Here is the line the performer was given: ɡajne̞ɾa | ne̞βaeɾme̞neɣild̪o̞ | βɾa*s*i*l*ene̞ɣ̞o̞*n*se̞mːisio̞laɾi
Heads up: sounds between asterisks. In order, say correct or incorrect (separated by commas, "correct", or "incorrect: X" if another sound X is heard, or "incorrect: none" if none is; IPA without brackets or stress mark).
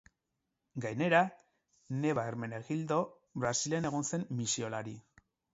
correct, correct, correct